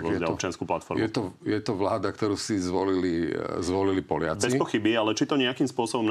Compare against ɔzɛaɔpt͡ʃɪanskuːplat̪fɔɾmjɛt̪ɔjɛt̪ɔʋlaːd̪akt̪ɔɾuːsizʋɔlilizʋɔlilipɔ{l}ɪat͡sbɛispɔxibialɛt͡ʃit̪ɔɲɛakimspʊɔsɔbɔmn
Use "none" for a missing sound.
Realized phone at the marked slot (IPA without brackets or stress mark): l